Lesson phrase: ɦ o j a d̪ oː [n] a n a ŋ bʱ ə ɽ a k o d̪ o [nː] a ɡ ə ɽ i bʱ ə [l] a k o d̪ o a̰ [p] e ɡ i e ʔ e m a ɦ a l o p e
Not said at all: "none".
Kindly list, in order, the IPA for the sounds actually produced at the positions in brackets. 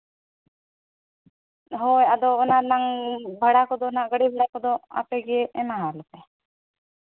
n, n, ɽ, p

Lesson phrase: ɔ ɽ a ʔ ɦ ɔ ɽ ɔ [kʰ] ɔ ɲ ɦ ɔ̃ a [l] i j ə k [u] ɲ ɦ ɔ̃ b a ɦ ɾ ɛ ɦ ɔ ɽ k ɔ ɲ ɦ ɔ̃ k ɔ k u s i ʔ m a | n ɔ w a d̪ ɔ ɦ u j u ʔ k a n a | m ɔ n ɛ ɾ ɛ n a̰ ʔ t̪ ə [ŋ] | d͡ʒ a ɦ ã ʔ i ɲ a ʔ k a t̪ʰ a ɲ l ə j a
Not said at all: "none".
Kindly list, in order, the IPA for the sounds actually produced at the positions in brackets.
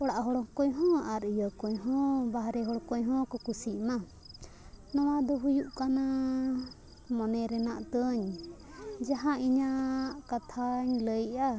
k, ɾ, ɔ, ɲ

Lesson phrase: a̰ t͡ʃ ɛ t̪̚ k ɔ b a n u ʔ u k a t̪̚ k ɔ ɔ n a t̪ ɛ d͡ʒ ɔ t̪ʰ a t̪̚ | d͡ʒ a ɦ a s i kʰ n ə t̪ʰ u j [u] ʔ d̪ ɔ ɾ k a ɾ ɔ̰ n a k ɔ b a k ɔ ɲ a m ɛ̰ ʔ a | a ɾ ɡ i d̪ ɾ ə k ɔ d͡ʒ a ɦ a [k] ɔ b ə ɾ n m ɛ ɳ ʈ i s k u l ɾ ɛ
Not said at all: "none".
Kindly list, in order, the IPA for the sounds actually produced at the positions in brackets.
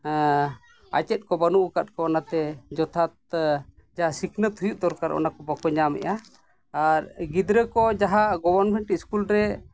u, ɡ

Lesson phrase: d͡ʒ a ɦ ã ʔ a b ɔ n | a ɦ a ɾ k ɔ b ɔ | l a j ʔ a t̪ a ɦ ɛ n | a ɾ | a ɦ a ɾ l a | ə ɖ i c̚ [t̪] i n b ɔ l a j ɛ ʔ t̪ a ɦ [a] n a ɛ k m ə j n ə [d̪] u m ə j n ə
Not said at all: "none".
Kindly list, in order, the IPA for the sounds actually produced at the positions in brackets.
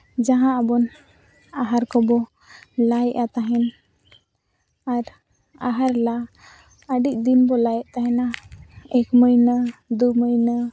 d̪, ɛ, d̪

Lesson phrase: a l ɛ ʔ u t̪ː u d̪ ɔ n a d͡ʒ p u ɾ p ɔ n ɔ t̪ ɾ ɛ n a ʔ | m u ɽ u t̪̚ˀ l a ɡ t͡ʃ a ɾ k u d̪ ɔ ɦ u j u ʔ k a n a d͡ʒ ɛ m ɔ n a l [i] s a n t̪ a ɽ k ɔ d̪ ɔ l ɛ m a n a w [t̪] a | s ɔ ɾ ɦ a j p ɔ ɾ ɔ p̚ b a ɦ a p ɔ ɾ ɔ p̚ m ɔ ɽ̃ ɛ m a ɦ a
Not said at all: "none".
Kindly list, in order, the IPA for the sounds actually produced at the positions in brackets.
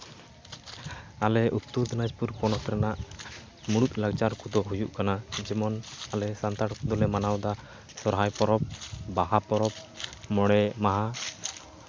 ɛ, d̪

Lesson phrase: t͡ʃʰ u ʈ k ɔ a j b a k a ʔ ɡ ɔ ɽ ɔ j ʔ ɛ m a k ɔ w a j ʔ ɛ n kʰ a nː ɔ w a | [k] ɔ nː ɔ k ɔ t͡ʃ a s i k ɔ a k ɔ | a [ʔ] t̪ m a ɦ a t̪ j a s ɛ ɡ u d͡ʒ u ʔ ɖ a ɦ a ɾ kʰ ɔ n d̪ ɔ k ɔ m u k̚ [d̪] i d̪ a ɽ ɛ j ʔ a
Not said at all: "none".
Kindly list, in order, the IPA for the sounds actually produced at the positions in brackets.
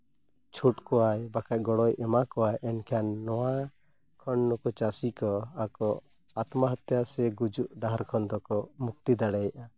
kʰ, none, t̪

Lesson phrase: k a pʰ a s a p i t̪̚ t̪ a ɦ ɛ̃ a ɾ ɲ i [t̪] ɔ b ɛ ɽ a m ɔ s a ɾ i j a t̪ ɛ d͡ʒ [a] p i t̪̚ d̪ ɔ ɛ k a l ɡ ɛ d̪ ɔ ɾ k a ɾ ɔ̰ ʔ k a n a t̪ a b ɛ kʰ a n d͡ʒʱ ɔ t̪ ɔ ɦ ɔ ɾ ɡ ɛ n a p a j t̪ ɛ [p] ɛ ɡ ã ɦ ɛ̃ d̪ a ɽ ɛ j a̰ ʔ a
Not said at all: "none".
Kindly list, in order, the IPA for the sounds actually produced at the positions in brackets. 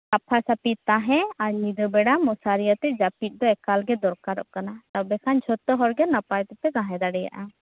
d̪, a, p

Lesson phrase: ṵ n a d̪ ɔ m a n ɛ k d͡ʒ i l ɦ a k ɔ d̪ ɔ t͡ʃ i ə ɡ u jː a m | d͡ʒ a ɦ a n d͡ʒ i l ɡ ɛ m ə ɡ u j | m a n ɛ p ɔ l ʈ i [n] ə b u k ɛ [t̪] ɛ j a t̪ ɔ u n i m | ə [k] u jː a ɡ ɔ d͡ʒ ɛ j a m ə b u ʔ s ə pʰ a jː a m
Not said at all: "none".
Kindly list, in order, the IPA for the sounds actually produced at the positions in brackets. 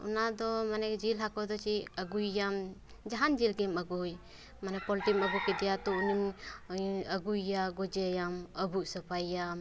m, d̪, ɡ

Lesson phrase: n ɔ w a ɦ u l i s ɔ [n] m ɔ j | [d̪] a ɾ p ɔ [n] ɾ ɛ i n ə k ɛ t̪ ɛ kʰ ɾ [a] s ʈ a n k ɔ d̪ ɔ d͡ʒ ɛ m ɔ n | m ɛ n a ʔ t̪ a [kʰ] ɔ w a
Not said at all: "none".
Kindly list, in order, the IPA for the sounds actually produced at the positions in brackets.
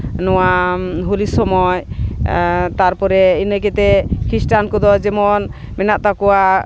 none, t̪, none, i, k

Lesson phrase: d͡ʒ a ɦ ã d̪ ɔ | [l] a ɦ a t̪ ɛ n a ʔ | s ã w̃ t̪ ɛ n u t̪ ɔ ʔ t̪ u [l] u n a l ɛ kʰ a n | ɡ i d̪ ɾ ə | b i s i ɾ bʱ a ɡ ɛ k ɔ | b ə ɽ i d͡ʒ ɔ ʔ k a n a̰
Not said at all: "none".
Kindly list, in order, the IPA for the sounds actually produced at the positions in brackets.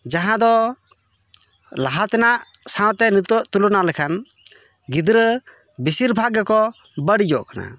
l, l

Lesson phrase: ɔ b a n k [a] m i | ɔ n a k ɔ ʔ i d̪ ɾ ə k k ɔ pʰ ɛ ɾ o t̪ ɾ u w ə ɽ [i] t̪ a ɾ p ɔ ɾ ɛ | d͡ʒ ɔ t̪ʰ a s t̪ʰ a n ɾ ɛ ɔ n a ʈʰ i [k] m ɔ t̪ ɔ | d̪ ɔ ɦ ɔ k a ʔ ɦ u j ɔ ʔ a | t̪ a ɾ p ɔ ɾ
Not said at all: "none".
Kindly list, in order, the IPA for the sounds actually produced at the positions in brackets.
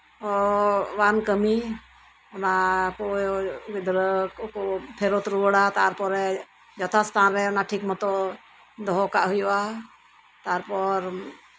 ə, a, k

